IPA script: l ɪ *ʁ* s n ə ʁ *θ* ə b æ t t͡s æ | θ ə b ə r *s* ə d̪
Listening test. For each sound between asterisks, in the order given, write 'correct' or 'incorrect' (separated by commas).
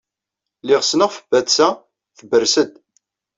correct, incorrect, correct